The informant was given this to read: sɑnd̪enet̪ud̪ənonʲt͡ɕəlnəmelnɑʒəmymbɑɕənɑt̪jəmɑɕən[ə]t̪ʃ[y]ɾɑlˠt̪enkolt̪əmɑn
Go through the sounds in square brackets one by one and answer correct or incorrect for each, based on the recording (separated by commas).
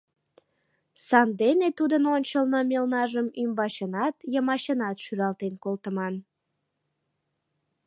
incorrect, correct